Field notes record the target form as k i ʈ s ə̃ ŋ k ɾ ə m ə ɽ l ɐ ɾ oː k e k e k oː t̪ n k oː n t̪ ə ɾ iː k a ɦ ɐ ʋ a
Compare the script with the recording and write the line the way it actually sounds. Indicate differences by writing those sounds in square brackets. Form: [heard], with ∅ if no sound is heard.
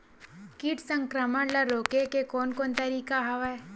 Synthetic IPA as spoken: k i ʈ s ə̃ ŋ k ɾ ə m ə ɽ l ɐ ɾ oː k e k e k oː [∅] n k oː n t̪ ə ɾ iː k a ɦ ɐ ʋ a